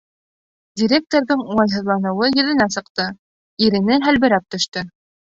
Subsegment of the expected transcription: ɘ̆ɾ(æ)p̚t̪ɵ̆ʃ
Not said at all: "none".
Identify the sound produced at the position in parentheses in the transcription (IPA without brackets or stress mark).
æ